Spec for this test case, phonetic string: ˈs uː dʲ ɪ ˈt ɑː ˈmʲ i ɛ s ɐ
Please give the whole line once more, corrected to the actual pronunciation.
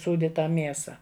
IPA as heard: ˈs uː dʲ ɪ ˈt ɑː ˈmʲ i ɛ s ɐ